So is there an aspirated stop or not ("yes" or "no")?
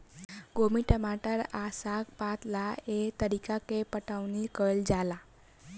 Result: no